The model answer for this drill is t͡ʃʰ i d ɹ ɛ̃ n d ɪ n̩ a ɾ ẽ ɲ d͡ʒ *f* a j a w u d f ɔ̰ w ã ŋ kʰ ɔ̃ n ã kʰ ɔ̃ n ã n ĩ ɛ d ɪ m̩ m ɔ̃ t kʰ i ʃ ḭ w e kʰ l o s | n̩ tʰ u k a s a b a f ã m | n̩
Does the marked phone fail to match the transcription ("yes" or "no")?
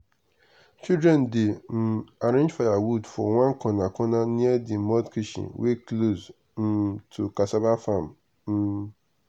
no